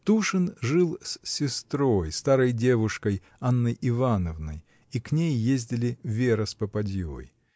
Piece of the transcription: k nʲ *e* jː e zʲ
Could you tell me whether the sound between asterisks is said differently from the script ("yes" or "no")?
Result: no